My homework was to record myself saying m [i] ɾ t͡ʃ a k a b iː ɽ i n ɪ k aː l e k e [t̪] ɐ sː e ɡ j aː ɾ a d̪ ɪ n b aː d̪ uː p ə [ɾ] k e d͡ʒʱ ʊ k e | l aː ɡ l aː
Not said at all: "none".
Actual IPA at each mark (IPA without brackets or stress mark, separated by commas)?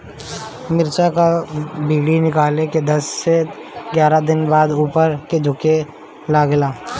ɪ, d̪, ɾ